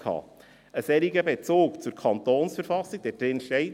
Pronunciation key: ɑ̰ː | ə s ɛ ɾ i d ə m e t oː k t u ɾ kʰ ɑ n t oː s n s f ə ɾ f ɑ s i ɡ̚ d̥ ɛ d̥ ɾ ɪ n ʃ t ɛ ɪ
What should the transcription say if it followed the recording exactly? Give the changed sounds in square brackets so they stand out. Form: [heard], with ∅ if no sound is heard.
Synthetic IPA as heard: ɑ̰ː | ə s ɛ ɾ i [ɡ] ə [b] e [t͡s] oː k [t͡s] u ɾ kʰ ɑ n t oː [∅] n s f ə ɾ f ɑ s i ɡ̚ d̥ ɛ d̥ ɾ ɪ n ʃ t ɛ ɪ